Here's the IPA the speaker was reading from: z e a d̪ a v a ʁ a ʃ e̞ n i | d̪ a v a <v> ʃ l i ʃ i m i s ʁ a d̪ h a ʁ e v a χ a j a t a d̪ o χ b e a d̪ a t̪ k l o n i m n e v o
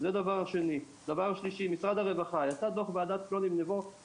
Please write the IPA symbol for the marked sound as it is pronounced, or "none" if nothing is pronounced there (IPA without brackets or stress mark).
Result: ʁ